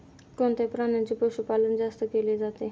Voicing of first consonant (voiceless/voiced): voiceless